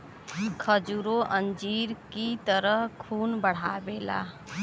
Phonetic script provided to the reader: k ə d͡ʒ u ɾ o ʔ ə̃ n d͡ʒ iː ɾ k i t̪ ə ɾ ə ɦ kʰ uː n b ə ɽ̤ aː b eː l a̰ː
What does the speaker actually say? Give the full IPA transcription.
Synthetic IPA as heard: kʰ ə d͡ʒ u ɾ o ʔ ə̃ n d͡ʒ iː ɾ k i t̪ ə ɾ ə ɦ kʰ uː n b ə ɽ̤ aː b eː l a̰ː